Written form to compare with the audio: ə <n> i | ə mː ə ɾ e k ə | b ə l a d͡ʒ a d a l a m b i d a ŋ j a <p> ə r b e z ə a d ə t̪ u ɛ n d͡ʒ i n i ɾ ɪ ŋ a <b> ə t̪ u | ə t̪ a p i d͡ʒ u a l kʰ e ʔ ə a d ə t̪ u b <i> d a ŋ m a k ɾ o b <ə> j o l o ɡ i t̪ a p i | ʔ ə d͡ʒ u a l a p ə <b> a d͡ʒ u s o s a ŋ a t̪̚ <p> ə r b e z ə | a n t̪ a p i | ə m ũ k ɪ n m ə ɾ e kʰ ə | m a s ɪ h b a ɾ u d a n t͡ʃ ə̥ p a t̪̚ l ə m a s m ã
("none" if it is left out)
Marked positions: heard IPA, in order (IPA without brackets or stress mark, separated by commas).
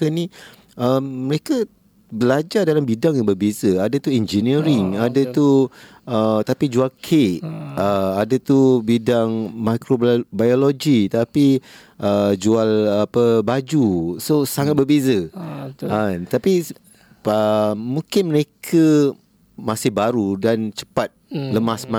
n, b, d, i, a, b, b